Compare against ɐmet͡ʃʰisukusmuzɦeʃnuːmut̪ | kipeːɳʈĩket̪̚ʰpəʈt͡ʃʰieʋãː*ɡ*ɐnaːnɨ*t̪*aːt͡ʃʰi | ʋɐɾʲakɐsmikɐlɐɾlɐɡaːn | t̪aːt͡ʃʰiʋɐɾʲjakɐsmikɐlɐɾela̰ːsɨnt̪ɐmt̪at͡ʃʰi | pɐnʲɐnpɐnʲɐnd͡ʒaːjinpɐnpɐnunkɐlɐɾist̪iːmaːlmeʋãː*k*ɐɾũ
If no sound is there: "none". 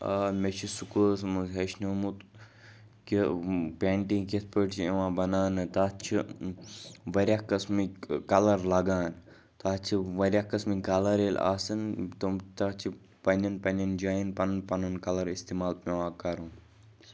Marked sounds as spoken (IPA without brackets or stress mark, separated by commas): b, t̪, k